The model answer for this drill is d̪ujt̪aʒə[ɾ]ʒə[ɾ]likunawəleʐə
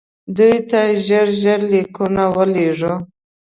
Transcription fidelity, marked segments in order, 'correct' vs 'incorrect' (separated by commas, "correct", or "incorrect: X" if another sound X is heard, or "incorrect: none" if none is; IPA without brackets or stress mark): correct, correct